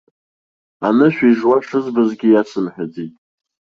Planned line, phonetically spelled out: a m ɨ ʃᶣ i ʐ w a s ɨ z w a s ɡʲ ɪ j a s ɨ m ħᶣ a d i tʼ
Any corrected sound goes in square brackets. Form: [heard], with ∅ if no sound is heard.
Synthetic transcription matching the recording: a [n] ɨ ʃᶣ i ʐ w a [ʂ] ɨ z [b] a [z] ɡʲ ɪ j a s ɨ m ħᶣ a [d͡z] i tʼ